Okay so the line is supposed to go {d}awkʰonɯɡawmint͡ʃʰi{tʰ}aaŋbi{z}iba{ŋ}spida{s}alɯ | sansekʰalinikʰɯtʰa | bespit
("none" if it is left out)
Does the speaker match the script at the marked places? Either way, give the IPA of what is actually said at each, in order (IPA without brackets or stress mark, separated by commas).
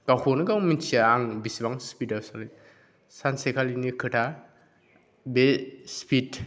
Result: ɡ, none, s, ŋ, s